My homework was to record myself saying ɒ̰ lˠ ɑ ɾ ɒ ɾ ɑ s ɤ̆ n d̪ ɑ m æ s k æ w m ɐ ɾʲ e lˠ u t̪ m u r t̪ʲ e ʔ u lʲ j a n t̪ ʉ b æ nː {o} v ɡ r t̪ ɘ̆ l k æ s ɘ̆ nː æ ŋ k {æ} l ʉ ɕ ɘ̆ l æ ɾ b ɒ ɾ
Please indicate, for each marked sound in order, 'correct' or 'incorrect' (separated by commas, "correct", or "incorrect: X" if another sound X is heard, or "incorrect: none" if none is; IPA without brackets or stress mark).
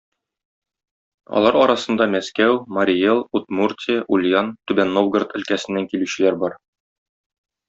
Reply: correct, incorrect: i